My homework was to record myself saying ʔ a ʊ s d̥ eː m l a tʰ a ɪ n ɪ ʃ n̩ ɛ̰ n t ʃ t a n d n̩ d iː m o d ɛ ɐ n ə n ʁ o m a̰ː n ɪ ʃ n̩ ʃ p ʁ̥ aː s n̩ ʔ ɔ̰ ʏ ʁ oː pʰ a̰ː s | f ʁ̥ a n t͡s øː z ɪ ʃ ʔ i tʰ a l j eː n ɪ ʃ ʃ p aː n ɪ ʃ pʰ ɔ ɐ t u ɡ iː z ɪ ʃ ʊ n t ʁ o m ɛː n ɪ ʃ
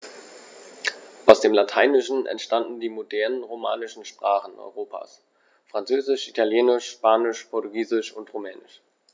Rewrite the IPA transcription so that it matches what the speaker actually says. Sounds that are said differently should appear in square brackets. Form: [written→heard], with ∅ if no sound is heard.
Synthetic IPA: ʔ a ʊ s d̥ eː m l a tʰ a ɪ n ɪ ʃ n̩ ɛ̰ n t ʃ t a n d n̩ d iː m o d ɛ ɐ n ə n ʁ o m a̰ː n ɪ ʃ n̩ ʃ p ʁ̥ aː [s→χ] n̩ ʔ ɔ̰ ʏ ʁ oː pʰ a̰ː s | f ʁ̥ a n t͡s øː z ɪ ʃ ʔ i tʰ a l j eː n ɪ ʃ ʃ p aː n ɪ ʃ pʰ ɔ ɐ t u ɡ iː z ɪ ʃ ʊ n t ʁ o m ɛː n ɪ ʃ

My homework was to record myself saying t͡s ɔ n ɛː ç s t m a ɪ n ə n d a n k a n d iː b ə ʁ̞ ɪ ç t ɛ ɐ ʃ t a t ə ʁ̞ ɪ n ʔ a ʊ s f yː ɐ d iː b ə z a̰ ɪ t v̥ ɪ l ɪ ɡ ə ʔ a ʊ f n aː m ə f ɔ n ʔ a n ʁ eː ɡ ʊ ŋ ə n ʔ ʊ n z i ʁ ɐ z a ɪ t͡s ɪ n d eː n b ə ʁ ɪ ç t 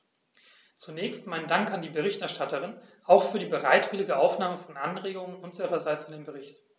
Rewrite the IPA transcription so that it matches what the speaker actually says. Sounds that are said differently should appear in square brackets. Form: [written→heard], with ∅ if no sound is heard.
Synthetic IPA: t͡s [ɔ→u] n ɛː ç s t m a ɪ n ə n d a [n→ŋ] k a n d iː b ə ʁ̞ ɪ ç t ɛ ɐ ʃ t a t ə ʁ̞ ɪ n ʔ a ʊ [s→x] f yː ɐ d iː b ə [z→ʁ] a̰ ɪ t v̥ ɪ l ɪ ɡ ə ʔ a ʊ f n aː m ə f ɔ n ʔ a n ʁ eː ɡ ʊ ŋ ə n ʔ ʊ n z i ʁ ɐ z a ɪ t͡s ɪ n d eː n b ə ʁ ɪ ç t

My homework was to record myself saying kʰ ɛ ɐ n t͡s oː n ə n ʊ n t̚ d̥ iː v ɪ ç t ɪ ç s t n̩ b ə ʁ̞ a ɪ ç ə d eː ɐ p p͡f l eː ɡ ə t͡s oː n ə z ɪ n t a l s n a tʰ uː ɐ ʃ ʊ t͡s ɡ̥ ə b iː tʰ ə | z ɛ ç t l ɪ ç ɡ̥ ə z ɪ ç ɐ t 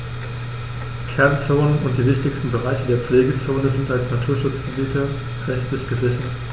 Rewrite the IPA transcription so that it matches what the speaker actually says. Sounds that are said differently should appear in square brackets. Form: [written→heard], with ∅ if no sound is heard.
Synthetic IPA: kʰ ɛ ɐ n t͡s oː n ə n ʊ n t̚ d̥ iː v ɪ ç t ɪ ç s t n̩ b ə ʁ̞ a ɪ ç ə d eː ɐ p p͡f l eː ɡ ə t͡s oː n ə z ɪ n t a l s n a tʰ uː ɐ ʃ ʊ t͡s ɡ̥ ə b iː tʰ ə | [z→ʁ] ɛ ç t l ɪ ç ɡ̥ ə z ɪ ç ɐ t

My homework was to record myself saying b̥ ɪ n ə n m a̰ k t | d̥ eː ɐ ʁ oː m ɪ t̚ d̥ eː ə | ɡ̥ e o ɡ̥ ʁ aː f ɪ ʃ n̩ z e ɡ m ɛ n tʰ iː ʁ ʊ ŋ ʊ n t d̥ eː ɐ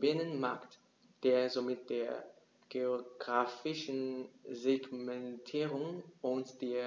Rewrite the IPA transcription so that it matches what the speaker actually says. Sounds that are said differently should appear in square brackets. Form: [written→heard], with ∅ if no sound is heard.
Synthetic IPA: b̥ ɪ n ə n m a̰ k t | d̥ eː ɐ [ʁ→z] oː m ɪ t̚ d̥ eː [ə→ɐ] | ɡ̥ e o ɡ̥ ʁ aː f ɪ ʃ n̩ z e ɡ m ɛ n tʰ iː ʁ ʊ ŋ ʊ n t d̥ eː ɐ

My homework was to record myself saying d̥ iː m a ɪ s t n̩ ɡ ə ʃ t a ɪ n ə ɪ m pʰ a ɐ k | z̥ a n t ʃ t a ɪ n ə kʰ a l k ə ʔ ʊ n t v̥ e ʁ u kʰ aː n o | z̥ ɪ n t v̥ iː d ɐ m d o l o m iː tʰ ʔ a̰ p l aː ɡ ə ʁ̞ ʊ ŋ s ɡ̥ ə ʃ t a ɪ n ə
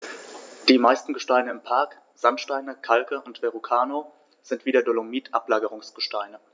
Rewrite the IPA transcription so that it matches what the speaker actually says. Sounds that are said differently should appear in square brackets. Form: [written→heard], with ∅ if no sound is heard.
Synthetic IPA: d̥ iː m a ɪ s t n̩ ɡ ə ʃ t a ɪ n ə ɪ m pʰ a ɐ k | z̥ a n t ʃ t a ɪ n ə kʰ a l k ə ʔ ʊ n t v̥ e ʁ u kʰ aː n o | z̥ ɪ n t v̥ iː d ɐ [m→∅] d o l o m iː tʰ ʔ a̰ p l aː ɡ ə ʁ̞ ʊ ŋ s ɡ̥ ə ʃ t a ɪ n ə

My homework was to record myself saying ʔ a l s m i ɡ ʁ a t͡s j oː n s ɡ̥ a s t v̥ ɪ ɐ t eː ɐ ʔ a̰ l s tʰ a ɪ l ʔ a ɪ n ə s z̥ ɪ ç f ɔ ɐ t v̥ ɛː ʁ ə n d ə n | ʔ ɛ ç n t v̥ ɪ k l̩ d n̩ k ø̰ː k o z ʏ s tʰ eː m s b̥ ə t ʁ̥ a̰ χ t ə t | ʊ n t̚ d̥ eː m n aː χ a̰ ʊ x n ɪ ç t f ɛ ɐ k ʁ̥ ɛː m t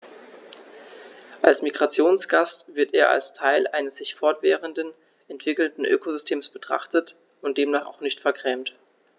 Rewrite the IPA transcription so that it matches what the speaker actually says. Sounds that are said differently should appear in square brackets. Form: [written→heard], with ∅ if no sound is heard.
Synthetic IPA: ʔ a l s m i ɡ ʁ a t͡s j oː n s ɡ̥ a s t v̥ ɪ ɐ t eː ɐ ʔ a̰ l s tʰ a ɪ l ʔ a ɪ n ə s z̥ ɪ ç f ɔ ɐ t v̥ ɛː ʁ ə n d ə n | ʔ ɛ [ç→∅] n t v̥ ɪ k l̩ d n̩ [k→ʔ] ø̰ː k o z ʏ s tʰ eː m s b̥ ə t ʁ̥ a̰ χ t ə t | ʊ n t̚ d̥ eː m n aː χ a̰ ʊ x n ɪ ç t f ɛ ɐ k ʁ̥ ɛː m t

